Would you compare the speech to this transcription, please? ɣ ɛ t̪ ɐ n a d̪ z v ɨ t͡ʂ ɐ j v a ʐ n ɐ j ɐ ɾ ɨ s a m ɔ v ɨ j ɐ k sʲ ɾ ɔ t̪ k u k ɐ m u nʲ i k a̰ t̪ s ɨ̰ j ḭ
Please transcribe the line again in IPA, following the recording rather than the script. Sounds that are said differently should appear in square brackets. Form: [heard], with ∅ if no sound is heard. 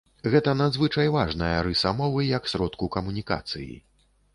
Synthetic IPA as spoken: ɣ ɛ t̪ ɐ n a d̪ z v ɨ t͡ʂ ɐ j v a ʐ n ɐ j ɐ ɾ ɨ s a m ɔ v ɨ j ɐ k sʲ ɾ ɔ t̪ k u k ɐ m u nʲ i k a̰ t̪ s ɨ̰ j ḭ